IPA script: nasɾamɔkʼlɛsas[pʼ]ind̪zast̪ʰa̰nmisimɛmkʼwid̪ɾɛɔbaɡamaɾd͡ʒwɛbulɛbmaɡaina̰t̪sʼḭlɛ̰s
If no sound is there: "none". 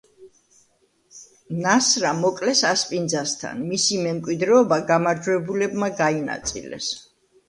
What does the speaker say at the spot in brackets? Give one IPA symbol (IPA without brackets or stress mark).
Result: pʼ